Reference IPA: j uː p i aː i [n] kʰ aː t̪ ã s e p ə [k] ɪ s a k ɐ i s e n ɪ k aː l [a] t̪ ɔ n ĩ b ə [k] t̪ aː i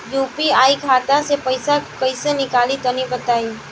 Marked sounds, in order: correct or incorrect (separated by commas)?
incorrect, incorrect, incorrect, incorrect